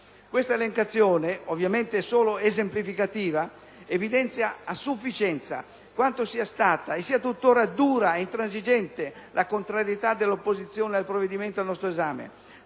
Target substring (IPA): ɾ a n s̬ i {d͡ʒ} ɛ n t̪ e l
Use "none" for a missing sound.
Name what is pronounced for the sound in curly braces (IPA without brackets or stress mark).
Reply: d͡ʒ